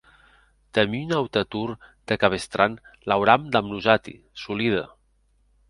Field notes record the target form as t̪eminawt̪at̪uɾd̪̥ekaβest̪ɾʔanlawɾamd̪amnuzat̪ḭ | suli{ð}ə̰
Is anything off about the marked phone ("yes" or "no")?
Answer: no